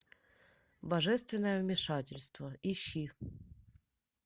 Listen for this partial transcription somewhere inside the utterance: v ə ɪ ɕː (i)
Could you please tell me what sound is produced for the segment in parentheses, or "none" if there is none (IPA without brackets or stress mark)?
i